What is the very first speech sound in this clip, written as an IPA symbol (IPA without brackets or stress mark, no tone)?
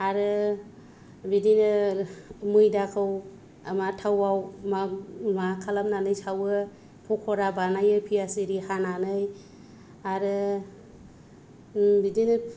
a